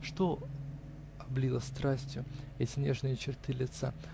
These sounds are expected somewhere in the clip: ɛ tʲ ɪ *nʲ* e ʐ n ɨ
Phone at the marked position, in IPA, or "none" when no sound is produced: nʲ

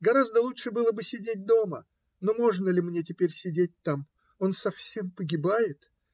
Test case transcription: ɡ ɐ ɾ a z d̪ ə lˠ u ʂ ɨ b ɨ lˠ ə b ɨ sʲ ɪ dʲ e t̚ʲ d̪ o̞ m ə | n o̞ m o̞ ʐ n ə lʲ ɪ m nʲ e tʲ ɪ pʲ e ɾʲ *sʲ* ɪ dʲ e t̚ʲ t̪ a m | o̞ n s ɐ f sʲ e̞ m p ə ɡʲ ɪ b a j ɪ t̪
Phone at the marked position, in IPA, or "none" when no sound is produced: sʲ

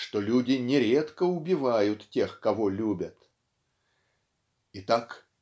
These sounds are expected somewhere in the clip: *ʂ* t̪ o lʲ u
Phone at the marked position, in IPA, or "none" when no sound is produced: ʂ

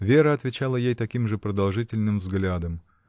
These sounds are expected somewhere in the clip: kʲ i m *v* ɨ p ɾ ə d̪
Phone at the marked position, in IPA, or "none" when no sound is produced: ʐ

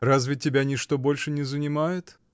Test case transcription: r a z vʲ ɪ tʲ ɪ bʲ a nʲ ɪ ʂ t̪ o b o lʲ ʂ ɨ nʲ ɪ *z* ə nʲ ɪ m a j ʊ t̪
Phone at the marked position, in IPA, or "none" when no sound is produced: z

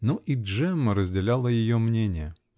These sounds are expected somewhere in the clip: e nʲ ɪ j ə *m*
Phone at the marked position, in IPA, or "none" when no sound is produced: none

